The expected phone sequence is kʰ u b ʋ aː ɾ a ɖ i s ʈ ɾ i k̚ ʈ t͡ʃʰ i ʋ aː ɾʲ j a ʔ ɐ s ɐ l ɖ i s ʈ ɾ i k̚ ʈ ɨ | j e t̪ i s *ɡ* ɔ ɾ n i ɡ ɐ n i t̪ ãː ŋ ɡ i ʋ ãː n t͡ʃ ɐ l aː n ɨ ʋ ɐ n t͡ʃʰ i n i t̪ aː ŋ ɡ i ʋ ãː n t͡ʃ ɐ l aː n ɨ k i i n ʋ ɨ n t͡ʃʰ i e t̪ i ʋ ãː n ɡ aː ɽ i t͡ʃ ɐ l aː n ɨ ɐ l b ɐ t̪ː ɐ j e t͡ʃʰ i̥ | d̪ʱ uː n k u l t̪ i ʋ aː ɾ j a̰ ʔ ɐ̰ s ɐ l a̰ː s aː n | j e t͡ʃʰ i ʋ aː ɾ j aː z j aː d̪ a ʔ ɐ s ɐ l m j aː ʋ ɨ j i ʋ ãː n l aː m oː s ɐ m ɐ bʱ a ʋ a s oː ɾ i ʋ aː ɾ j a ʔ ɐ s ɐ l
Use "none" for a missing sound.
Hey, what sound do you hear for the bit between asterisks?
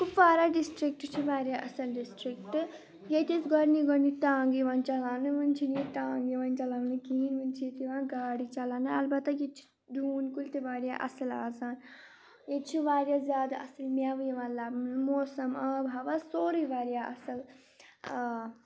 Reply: ɡ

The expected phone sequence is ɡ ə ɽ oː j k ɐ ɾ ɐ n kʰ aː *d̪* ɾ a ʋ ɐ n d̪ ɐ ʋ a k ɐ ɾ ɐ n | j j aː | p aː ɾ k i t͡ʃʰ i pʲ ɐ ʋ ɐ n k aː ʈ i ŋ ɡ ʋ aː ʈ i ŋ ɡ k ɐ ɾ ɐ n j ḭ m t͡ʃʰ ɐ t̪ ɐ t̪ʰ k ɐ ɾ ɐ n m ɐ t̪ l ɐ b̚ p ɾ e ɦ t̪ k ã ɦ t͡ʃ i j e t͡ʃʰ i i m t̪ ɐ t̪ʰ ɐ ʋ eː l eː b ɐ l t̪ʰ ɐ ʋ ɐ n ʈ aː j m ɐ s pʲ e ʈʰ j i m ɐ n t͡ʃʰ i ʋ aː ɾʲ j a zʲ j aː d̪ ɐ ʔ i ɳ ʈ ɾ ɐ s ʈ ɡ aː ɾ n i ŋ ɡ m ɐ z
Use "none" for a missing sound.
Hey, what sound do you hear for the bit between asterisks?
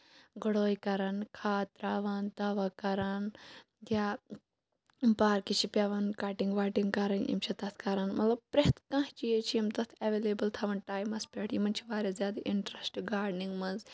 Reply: t̪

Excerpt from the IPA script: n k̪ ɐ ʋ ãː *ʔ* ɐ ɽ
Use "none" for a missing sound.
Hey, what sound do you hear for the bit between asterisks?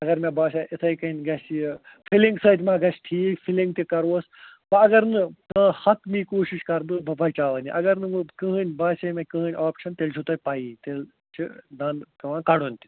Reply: k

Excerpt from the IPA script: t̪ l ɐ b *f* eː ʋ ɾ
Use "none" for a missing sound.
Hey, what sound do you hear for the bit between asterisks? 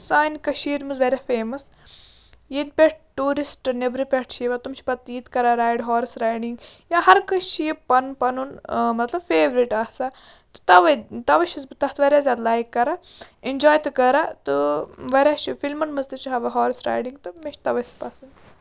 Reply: f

